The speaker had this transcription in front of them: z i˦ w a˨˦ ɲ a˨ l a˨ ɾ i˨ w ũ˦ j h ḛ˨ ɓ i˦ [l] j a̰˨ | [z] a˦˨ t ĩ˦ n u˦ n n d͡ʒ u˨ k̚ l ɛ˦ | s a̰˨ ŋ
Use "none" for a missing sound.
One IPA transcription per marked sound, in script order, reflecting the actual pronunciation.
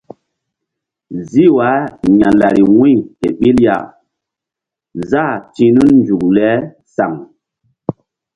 l, z

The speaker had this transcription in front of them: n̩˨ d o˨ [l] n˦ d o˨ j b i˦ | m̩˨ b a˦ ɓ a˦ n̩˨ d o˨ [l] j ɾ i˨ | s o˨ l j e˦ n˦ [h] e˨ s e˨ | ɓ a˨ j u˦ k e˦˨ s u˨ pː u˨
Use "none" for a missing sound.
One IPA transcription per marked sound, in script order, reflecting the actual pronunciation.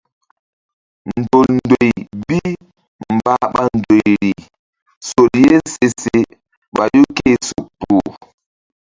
l, none, s

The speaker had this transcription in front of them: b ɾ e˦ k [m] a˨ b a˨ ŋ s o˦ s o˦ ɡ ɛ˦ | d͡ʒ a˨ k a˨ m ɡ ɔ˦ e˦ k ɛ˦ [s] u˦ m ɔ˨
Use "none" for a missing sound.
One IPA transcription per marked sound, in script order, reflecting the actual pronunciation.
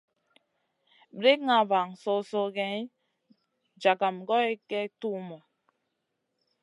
ŋ, t

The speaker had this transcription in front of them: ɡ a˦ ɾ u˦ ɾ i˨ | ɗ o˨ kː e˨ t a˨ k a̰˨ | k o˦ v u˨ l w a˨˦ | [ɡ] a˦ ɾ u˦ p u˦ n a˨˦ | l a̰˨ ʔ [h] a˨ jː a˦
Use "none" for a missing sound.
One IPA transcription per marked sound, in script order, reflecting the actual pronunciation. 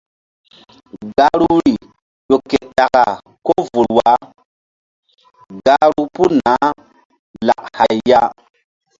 ɡ, h

